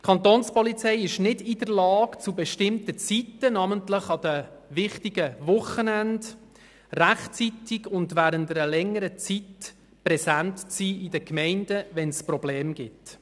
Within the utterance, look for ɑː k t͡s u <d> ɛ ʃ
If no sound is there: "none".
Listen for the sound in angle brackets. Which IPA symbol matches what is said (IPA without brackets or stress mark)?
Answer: b